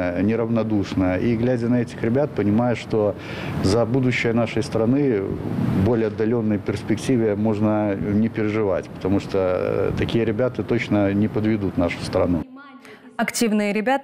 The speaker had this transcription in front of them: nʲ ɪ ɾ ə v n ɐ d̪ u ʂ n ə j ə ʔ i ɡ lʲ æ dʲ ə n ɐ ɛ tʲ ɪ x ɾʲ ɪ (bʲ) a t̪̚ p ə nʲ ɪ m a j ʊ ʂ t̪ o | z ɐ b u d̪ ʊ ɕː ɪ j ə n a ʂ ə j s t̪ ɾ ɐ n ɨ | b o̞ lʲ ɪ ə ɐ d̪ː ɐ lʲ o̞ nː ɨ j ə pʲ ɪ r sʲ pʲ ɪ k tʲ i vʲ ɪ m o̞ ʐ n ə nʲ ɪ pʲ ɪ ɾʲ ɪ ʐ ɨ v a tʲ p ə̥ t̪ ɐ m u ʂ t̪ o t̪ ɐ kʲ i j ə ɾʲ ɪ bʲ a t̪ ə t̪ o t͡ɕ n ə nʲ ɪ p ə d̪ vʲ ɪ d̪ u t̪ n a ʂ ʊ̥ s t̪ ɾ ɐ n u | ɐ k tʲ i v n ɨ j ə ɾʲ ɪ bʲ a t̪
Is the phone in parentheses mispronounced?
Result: no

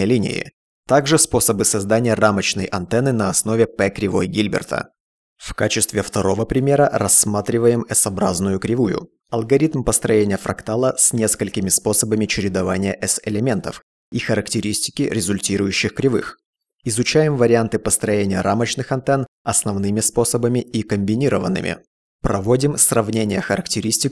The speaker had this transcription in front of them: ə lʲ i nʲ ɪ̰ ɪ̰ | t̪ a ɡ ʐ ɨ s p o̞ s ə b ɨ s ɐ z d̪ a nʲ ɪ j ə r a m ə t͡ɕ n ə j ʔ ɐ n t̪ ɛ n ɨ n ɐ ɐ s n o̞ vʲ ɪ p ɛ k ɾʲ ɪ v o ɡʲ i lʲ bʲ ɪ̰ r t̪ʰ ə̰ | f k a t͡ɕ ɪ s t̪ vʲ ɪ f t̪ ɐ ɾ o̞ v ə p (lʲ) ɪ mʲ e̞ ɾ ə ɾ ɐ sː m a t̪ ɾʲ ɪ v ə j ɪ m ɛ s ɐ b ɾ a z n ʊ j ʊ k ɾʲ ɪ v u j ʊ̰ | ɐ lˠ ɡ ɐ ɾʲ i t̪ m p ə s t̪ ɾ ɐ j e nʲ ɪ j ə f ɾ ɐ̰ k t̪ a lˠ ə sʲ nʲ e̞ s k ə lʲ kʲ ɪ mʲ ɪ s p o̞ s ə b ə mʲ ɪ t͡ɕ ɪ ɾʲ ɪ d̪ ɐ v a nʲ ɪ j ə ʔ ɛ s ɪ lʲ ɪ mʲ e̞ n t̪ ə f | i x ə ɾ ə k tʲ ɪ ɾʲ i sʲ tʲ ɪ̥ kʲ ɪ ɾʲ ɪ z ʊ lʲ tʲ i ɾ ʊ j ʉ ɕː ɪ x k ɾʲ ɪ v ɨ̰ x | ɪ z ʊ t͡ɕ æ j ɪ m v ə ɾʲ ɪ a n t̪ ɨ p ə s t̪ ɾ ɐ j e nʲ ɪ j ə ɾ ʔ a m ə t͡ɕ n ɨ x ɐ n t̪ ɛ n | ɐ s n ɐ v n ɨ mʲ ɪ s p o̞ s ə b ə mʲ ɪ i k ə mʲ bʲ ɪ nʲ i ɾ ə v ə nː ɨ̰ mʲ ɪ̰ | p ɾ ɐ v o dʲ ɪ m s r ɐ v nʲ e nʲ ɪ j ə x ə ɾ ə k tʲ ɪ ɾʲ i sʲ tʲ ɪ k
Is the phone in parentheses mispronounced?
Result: yes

